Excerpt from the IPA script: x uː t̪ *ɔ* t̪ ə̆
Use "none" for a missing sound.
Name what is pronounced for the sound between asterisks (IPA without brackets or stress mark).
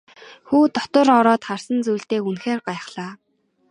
ɔ